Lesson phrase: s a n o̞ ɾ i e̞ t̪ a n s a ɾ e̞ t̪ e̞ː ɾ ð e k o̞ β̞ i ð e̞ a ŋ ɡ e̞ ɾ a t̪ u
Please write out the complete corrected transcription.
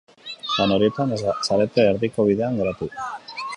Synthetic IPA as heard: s a n o̞ ɾ i e̞ t̪ a n s a ɾ e̞ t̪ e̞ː ɾ ð i k o̞ β̞ i ð e̞ a ŋ ɡ e̞ ɾ a t̪ u